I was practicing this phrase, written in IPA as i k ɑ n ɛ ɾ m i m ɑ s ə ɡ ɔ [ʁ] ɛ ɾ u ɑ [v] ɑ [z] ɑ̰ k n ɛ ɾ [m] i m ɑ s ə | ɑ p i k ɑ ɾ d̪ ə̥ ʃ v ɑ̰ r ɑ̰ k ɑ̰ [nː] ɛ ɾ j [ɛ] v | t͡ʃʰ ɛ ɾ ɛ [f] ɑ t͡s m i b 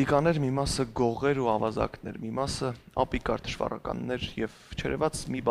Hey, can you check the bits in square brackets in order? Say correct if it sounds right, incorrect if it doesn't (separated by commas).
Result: correct, correct, correct, correct, correct, correct, incorrect